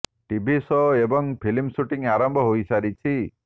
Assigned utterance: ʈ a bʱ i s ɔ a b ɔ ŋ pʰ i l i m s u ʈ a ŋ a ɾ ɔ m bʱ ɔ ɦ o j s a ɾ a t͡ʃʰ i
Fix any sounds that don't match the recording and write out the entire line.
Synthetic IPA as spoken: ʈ i bʱ i s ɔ e b ɔ ŋ pʰ i l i m s u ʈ i ŋ a ɾ ɔ m bʱ ɔ ɦ o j s a ɾ i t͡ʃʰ i